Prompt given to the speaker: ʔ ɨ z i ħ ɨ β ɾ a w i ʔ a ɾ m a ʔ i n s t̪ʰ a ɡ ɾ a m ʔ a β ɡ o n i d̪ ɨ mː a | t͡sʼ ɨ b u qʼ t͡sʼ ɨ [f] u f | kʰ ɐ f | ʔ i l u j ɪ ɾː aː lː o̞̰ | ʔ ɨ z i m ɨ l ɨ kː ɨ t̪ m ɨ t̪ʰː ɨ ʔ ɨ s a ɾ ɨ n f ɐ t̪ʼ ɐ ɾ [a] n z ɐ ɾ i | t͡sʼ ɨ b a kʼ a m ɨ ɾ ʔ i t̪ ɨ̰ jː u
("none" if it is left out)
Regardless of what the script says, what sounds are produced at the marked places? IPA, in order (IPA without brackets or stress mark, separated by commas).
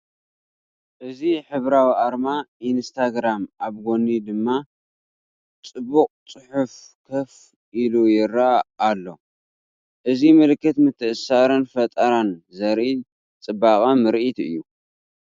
ħ, a